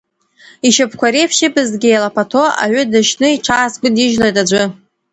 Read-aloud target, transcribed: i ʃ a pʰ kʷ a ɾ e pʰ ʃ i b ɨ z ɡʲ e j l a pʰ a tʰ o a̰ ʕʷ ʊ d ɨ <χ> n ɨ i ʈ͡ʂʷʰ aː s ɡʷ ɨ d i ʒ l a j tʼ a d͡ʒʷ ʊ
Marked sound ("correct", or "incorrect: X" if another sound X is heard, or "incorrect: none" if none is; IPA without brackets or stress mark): incorrect: ʃ